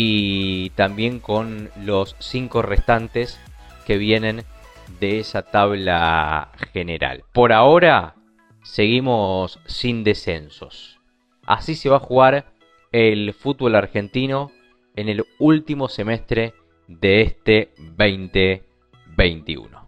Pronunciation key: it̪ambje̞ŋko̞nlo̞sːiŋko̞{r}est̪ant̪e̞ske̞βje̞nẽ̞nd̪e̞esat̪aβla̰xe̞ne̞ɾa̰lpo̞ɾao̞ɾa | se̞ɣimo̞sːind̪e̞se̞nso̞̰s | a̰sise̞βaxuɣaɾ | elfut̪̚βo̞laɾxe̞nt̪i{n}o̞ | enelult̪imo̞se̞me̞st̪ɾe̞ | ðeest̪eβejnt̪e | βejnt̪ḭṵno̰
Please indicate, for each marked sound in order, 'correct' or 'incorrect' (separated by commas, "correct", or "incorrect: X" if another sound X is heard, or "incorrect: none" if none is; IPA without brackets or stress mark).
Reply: correct, correct